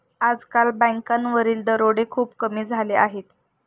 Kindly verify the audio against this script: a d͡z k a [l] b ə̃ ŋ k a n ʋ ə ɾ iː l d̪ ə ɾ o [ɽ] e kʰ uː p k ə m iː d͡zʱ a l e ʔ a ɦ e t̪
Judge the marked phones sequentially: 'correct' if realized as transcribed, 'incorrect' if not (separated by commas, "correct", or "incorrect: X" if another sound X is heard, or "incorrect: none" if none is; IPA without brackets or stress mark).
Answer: correct, correct